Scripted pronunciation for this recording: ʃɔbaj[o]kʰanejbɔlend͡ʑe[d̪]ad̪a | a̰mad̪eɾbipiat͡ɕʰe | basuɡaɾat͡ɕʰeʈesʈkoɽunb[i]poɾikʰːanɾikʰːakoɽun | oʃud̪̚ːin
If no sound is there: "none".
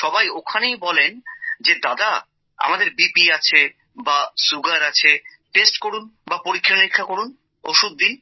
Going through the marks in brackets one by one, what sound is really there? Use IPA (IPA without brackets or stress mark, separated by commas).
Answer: o, d̪, a